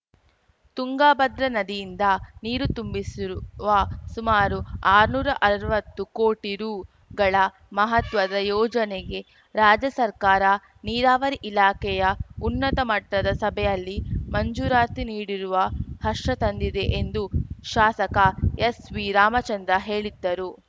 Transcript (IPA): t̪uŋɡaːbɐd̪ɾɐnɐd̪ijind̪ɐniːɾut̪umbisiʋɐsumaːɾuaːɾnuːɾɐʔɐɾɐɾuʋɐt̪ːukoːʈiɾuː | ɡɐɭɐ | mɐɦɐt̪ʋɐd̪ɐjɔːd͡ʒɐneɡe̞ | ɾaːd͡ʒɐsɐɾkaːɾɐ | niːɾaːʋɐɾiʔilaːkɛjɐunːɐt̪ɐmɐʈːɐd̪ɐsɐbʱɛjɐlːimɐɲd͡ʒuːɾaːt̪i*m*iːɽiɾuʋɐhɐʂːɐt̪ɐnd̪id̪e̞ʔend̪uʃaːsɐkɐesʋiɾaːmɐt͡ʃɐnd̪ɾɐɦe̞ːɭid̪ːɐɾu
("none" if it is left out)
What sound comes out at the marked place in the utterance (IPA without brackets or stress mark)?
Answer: n